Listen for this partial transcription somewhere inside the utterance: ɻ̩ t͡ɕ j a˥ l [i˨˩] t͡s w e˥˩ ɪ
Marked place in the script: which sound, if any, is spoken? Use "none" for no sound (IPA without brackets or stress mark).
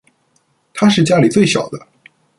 i˨˩